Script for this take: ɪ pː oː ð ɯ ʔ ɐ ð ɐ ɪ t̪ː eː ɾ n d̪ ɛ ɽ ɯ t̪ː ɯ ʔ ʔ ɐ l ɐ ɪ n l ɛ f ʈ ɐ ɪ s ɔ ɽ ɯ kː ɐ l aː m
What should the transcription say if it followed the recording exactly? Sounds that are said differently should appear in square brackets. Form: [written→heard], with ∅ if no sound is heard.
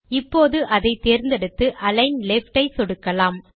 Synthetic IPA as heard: ɪ pː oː ð ɯ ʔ ɐ ð ɐ ɪ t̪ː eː ɾ n d̪ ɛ ɽ ɯ t̪ː ɯ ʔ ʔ ɐ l ɐ ɪ n l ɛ f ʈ ɐ ɪ s ɔ ɽ ɯ kː ɐ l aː m